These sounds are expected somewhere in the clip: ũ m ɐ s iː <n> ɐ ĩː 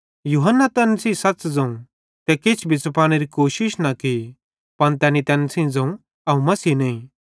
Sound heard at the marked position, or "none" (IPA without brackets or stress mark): n